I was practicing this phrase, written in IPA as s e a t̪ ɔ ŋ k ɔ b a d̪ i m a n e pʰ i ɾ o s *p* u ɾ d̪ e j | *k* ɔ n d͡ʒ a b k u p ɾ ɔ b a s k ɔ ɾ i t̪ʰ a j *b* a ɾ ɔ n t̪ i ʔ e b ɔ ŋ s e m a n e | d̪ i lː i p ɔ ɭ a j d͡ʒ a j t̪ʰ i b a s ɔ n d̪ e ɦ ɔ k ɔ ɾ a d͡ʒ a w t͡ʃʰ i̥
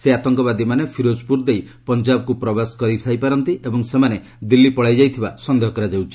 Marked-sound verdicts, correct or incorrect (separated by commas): correct, incorrect, incorrect